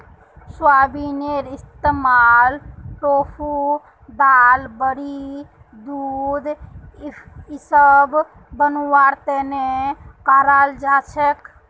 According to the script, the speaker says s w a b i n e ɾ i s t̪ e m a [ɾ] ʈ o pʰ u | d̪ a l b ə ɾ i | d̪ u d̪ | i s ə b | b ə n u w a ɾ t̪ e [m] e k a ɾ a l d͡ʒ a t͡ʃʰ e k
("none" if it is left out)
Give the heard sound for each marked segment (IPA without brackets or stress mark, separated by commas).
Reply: l, n